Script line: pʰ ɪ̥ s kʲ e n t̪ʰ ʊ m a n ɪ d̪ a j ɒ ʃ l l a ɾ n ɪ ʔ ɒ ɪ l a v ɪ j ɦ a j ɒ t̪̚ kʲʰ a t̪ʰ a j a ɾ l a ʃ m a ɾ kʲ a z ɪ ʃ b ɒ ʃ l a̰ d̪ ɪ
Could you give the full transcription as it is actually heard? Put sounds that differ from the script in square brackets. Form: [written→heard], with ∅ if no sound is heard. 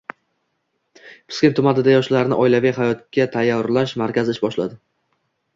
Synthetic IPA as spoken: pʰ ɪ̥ s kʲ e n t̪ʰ ʊ m a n ɪ d̪ a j ɒ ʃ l l a ɾ n ɪ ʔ ɒ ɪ l a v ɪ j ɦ a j ɒ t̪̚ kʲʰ a t̪ʰ a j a ɾ l a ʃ m a ɾ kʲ a z ɪ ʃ b ɒ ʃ l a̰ d̪ ɪ